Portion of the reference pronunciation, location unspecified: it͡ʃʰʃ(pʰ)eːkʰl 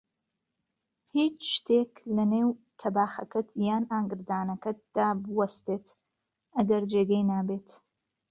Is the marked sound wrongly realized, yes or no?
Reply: yes